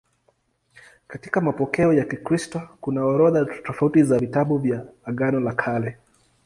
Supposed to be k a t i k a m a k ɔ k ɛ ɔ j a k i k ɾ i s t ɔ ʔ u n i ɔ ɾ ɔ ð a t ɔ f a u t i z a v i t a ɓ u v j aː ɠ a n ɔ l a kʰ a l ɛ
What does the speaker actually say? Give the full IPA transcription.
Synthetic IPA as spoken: k a t i k a m a p ɔ k ɛ ɔ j a k i k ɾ i s t ɔ k u n a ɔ ɾ ɔ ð a t ɔ f a u t i z a v i t a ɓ u v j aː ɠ a n ɔ l a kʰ a l ɛ